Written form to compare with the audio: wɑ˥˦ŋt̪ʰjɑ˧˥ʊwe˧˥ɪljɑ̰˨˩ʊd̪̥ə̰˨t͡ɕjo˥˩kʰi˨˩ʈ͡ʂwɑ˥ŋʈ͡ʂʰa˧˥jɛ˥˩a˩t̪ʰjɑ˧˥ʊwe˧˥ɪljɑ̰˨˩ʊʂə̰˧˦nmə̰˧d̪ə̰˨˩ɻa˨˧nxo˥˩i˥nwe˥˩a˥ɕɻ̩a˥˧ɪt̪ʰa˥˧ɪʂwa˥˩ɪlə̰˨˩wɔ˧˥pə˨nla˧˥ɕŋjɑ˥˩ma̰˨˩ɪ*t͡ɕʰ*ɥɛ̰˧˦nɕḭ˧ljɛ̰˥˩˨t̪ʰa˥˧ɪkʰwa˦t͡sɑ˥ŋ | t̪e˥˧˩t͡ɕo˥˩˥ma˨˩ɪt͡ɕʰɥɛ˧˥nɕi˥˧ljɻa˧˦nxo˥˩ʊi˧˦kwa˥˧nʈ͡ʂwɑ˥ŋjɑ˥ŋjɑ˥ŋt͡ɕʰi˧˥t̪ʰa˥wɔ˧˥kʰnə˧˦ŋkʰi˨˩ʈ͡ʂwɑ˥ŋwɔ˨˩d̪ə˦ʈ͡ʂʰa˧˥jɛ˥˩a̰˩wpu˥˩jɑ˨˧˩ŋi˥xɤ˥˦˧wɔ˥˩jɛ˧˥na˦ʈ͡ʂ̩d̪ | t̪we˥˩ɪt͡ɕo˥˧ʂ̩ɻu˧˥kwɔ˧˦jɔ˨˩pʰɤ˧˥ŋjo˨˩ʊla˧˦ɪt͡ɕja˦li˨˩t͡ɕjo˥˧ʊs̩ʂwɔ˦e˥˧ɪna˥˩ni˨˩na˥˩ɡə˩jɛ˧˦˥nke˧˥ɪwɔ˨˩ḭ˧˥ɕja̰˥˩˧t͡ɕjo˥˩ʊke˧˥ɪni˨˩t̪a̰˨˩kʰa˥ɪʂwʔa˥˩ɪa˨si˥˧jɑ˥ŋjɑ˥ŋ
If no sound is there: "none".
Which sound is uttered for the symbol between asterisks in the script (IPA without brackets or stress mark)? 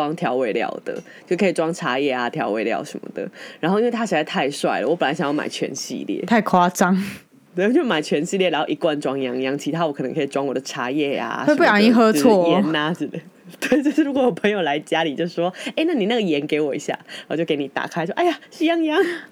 t͡ɕʰ